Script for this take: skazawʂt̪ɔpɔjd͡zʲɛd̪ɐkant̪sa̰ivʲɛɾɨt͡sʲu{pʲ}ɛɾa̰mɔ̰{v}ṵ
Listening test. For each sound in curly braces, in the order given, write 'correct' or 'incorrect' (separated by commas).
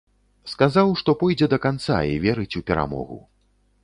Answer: correct, incorrect